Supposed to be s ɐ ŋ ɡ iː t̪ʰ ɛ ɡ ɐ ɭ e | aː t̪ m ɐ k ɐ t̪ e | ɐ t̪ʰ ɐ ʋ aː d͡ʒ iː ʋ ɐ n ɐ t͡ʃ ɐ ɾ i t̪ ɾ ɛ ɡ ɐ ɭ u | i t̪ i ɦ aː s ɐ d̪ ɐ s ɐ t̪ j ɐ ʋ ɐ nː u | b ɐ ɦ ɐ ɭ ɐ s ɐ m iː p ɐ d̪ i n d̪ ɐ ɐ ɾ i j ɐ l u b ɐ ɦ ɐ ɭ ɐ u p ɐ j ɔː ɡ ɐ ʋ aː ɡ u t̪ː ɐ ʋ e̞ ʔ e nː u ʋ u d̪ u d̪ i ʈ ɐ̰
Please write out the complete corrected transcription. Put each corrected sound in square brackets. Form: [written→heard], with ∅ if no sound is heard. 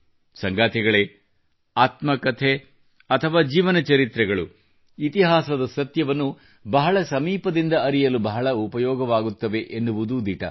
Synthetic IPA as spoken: s ɐ ŋ ɡ [iː→aː] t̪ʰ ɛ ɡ ɐ ɭ e | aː t̪ m ɐ k ɐ [t̪→t̪ʰ] e | ɐ t̪ʰ ɐ ʋ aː d͡ʒ iː ʋ ɐ n ɐ t͡ʃ ɐ ɾ i t̪ ɾ ɛ ɡ ɐ ɭ u | i t̪ i ɦ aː s ɐ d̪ ɐ s ɐ t̪ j ɐ ʋ ɐ nː u | b ɐ ɦ ɐ ɭ ɐ s ɐ m iː p ɐ d̪ i n d̪ ɐ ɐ ɾ i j ɐ l u b ɐ ɦ ɐ ɭ ɐ u p ɐ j ɔː ɡ ɐ ʋ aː ɡ u t̪ː ɐ ʋ e̞ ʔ e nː u ʋ u d̪ u d̪ i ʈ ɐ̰